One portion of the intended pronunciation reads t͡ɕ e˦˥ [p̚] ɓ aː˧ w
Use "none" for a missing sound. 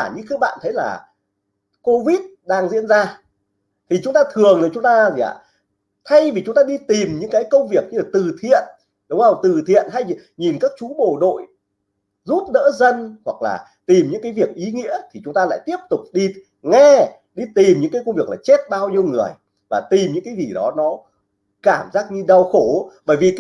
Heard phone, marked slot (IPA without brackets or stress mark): t̚